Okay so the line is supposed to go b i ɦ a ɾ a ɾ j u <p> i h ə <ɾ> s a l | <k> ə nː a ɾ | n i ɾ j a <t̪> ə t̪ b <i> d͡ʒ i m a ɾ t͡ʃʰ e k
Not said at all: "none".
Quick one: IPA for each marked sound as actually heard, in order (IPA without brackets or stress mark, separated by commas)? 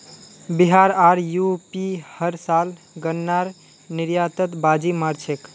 p, ɾ, ɡ, t̪, a